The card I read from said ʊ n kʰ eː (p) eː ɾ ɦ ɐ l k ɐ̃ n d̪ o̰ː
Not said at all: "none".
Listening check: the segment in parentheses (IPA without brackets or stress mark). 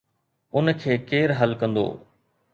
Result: k